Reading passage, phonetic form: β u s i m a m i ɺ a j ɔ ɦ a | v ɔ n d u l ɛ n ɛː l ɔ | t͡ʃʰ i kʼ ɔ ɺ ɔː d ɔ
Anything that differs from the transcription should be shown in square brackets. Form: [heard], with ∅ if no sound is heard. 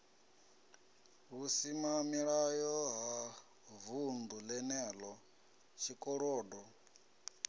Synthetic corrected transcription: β u s i m a m i ɺ a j ɔ ɦ a | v [u] n d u l ɛ n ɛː l ɔ | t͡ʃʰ i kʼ ɔ ɺ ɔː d ɔ